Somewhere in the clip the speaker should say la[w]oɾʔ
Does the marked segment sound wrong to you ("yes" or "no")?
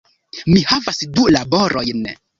yes